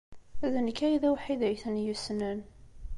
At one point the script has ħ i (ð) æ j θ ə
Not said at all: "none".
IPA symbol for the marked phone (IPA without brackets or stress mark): ð